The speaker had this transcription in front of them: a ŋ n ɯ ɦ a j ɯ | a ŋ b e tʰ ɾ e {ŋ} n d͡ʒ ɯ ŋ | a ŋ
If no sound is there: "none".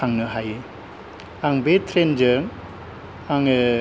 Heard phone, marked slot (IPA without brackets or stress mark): none